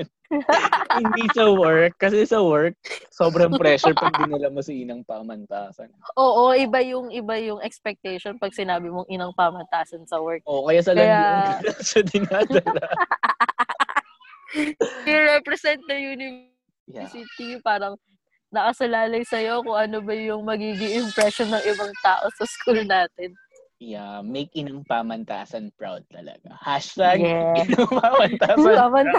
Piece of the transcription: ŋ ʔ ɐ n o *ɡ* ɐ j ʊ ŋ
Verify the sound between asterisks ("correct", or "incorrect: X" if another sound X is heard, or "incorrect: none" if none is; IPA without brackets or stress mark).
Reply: incorrect: b